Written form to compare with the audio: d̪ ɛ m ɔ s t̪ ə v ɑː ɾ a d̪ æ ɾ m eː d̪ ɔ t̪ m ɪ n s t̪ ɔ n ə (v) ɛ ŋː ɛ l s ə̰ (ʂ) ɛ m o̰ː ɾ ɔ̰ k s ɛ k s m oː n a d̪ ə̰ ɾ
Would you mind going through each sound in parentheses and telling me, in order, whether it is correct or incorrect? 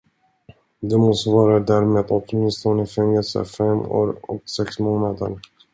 incorrect, incorrect

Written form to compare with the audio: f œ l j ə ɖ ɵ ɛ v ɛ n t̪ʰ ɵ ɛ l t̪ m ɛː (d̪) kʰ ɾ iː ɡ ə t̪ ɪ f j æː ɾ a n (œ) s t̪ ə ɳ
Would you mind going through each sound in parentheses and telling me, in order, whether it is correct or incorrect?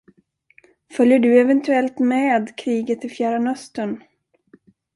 correct, correct

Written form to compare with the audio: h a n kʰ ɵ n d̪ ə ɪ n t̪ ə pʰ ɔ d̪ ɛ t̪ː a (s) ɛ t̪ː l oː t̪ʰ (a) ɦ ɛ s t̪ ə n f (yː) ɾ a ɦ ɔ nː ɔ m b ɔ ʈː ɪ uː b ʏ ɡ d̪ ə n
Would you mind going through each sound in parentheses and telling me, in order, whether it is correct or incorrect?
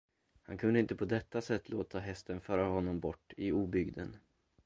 correct, correct, incorrect

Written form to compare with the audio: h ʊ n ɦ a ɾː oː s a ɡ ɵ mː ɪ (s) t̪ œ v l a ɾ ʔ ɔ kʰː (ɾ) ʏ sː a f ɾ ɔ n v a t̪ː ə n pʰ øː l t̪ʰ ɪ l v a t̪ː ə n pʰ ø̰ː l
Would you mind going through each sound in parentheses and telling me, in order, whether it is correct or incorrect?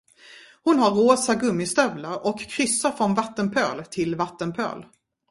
correct, correct

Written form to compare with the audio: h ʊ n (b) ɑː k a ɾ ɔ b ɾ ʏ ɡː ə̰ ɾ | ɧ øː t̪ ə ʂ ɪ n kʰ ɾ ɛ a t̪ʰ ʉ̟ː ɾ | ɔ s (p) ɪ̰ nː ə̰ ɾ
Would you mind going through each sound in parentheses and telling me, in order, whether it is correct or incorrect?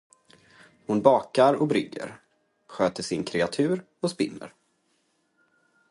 correct, correct

